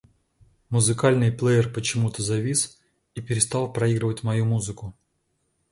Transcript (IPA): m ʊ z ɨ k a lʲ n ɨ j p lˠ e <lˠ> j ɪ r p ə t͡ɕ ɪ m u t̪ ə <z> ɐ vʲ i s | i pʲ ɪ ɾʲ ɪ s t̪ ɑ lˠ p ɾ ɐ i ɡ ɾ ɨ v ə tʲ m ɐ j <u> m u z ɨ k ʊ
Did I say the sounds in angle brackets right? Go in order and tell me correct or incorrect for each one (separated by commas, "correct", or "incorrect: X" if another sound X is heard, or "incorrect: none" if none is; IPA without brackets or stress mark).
incorrect: none, correct, correct